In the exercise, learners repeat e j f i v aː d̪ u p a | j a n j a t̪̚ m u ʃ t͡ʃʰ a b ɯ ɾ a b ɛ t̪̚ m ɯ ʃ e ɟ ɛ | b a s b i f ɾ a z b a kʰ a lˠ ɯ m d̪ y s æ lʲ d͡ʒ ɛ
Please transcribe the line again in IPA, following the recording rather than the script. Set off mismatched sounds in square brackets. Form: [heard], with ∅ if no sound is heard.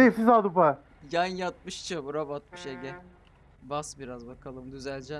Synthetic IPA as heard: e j f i [z] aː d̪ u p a | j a n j a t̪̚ m [ɯ] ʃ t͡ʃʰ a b [u] ɾ a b [a] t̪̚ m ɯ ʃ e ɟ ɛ | b a s b i [∅] ɾ a z b a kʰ a lˠ ɯ m d̪ y [z] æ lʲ d͡ʒ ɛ